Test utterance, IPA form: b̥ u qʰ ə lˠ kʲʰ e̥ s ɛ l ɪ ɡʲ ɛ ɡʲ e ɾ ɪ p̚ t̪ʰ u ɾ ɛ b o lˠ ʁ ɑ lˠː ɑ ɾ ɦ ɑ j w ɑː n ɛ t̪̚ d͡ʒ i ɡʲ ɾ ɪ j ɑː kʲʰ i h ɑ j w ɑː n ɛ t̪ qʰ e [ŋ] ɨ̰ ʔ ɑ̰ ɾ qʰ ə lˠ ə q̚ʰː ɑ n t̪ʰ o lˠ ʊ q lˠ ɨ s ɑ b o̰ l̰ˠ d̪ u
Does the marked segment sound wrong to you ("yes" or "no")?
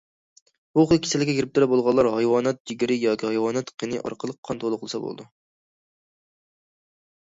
yes